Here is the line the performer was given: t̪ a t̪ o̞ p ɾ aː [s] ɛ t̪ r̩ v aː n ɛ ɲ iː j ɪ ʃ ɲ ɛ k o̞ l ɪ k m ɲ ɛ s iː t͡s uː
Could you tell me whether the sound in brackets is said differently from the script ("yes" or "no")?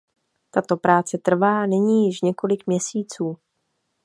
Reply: yes